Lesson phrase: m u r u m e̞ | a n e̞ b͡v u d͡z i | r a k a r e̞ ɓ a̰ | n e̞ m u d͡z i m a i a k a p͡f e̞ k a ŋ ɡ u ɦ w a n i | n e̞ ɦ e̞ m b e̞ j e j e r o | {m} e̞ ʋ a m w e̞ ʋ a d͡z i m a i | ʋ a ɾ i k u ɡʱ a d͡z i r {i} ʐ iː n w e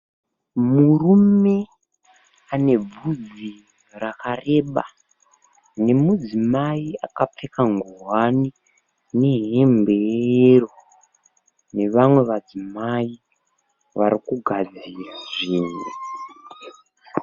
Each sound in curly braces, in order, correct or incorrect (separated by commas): incorrect, incorrect